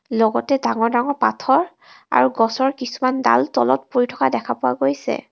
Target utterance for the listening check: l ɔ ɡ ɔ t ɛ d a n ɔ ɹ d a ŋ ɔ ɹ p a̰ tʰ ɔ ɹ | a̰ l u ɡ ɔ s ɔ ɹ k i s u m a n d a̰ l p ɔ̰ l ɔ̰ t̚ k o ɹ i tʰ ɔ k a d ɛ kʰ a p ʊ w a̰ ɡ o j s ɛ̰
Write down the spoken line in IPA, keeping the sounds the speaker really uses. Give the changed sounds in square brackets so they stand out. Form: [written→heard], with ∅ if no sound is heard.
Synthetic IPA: l ɔ ɡ ɔ t ɛ d a [n→ŋ] ɔ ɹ d a ŋ ɔ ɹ p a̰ tʰ ɔ ɹ | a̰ [l→ɹ] u ɡ ɔ s ɔ ɹ k i s u m a n d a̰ l [p→t] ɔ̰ l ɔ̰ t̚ [k→p] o ɹ i tʰ ɔ k a d ɛ kʰ a p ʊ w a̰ ɡ o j s ɛ̰